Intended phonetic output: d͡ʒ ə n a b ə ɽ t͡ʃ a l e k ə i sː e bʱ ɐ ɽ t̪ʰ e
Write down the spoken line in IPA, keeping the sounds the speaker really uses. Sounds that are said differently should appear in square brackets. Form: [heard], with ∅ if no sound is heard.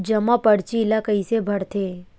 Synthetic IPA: d͡ʒ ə [m] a [p] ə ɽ t͡ʃ [i] l [a] k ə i [s] e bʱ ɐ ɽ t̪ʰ e